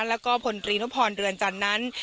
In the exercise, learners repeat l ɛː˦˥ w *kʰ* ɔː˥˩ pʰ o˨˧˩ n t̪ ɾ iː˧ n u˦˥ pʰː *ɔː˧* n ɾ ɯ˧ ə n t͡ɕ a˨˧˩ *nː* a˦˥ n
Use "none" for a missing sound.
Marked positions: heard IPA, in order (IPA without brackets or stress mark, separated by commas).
k, ɔː˧, nː